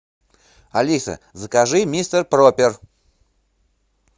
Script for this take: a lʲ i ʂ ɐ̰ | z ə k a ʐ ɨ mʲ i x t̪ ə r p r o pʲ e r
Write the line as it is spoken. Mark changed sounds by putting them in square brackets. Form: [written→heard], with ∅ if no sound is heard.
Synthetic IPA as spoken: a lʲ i [ʂ→s] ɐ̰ | z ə k a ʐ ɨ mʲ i [x→s] t̪ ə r p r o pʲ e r